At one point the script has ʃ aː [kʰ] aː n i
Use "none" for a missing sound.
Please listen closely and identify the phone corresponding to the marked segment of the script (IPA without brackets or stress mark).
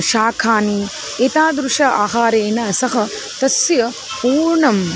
kʰ